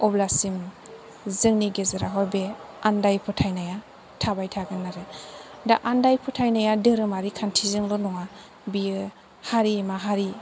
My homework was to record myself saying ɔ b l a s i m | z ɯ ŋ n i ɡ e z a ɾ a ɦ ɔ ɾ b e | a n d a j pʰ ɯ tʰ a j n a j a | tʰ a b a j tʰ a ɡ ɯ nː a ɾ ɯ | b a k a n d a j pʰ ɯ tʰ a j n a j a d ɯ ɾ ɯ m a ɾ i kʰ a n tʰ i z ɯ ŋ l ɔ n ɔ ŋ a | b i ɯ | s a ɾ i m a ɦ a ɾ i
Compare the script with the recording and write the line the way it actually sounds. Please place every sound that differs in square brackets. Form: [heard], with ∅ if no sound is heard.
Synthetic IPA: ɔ b l a s i m | z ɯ ŋ n i ɡ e z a ɾ a ɦ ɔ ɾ b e | a n d a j pʰ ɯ tʰ a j n a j a | tʰ a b a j tʰ a ɡ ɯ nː a ɾ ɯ | [d] a [ʔ] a n d a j pʰ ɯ tʰ a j n a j a d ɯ ɾ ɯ m a ɾ i kʰ a n tʰ i z ɯ ŋ l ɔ n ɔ ŋ a | b i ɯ | [h] a ɾ i m a ɦ a ɾ i